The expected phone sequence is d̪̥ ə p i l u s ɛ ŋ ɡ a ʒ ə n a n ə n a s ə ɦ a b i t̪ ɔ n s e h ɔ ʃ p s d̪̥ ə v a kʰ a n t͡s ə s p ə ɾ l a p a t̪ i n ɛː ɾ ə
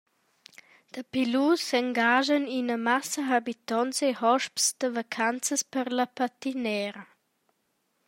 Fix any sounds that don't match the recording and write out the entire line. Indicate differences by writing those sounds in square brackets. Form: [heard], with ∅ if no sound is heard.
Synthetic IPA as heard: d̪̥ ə p i l u s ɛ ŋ ɡ a ʒ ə n [i] n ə [m] a s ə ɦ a b i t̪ ɔ n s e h ɔ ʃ p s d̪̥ ə v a kʰ a n t͡s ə s p ə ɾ l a p a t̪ i n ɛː ɾ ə